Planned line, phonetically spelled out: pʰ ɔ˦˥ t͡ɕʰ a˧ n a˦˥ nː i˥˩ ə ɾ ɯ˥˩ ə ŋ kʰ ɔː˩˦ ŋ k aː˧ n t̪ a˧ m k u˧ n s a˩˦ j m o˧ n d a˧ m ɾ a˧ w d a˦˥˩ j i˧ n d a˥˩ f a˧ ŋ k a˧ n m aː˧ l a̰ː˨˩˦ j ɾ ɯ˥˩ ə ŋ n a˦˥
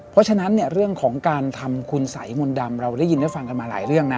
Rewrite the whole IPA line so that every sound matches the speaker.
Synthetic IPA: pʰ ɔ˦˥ t͡ɕʰ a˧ n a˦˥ nː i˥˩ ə ɾ ɯ˥˩ ə ŋ kʰ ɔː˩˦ ŋ k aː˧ n t̪ʰ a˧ m kʰ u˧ n s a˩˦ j m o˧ n d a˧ m ɾ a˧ w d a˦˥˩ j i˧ n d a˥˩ f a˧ ŋ k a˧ n m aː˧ l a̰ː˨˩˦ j ɾ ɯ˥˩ ə ŋ n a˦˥